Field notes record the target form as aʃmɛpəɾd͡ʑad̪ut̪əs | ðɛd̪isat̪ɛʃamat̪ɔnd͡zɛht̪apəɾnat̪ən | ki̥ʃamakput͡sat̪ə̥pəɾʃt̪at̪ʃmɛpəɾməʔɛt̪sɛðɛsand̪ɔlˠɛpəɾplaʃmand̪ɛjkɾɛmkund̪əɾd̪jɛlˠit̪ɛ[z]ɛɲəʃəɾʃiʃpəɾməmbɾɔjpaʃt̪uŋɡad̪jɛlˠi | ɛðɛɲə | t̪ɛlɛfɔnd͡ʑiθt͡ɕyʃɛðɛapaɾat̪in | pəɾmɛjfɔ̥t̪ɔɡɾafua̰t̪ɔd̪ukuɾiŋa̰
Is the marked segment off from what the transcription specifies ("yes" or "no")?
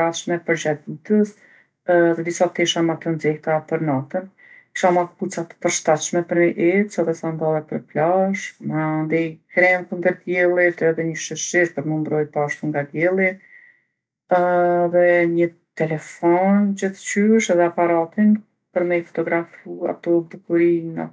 yes